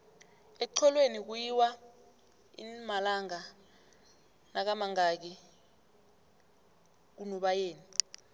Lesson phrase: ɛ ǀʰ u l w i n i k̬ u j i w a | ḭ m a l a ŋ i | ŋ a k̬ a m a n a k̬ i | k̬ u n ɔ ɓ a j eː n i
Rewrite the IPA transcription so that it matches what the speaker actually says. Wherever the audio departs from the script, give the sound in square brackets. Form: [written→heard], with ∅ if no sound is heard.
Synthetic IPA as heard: ɛ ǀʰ [u→ɔ] l w [i→e] n i k̬ u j i w a | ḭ m a l a ŋ [i→a] | [ŋ→n] a k̬ a m a [n→ŋ] a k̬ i | k̬ u n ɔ ɓ a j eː n i